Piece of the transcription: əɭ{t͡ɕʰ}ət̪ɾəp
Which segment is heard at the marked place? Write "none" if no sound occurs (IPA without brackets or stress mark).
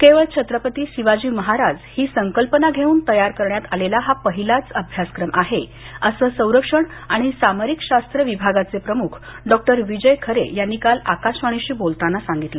t͡ɕʰ